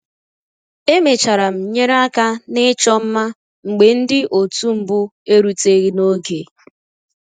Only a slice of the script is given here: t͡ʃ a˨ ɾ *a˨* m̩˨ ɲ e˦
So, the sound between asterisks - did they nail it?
yes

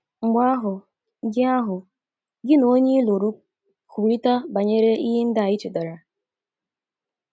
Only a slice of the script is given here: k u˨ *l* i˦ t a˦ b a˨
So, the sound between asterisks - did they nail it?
no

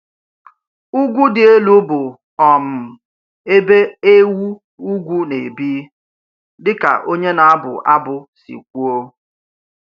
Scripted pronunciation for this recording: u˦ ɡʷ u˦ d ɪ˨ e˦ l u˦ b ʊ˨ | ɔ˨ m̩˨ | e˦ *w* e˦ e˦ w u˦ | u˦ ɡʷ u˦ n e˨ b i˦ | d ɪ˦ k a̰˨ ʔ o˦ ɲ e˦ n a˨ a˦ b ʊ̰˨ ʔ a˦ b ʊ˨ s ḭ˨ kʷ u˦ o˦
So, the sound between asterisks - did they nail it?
no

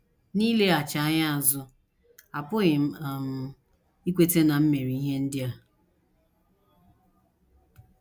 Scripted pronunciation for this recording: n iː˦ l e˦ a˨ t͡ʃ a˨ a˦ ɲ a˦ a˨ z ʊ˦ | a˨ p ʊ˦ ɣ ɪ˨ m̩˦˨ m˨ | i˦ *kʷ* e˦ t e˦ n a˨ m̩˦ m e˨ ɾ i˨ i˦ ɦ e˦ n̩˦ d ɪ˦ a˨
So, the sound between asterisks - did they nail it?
yes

